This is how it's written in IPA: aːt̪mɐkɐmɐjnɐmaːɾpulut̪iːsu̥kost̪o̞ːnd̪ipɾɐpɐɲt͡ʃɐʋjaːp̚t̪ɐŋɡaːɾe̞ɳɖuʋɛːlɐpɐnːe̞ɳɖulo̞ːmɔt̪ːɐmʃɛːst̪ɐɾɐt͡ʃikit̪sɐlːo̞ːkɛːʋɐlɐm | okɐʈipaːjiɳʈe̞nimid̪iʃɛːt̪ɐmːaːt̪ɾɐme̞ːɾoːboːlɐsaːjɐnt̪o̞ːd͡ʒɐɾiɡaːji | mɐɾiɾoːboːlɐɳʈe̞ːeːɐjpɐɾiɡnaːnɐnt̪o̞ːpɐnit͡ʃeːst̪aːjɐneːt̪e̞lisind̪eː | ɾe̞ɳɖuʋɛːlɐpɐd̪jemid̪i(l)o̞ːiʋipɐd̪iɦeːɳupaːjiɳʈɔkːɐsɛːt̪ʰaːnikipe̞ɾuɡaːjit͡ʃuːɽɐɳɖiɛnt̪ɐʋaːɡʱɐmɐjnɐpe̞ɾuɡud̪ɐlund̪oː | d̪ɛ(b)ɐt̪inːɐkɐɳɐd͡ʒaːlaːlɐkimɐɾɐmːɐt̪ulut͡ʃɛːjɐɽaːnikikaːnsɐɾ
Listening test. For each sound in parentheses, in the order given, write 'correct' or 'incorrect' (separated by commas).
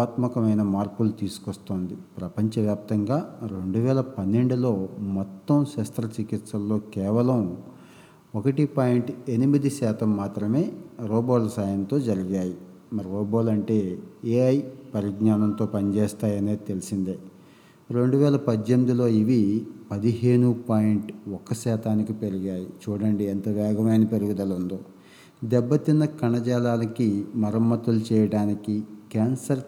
correct, incorrect